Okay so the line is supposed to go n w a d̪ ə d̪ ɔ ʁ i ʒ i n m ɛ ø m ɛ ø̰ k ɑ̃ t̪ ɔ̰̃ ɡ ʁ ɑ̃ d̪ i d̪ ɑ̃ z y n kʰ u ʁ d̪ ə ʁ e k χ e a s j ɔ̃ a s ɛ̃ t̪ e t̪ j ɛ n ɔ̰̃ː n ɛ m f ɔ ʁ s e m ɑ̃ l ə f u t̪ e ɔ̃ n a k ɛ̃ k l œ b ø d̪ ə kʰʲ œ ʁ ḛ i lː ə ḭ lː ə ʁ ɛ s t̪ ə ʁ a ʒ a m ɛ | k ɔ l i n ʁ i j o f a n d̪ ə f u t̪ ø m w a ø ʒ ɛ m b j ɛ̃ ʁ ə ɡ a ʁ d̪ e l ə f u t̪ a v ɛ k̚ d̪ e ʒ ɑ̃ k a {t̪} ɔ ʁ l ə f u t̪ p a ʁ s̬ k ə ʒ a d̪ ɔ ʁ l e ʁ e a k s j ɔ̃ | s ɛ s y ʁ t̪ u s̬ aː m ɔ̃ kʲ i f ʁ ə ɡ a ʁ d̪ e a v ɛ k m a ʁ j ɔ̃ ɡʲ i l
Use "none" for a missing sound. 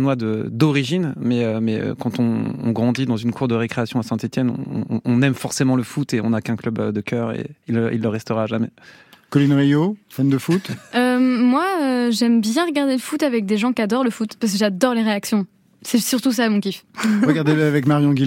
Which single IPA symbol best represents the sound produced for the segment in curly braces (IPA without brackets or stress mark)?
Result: d̪